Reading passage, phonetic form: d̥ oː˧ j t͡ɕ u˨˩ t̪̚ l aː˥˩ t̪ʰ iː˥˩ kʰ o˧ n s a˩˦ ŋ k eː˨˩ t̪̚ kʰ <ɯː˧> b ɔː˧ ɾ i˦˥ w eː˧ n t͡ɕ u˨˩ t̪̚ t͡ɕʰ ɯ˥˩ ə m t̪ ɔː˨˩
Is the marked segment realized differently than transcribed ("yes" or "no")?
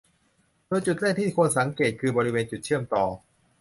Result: no